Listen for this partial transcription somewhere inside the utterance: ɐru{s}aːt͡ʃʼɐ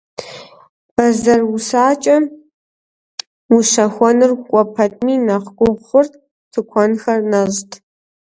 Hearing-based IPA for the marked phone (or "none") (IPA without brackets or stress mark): s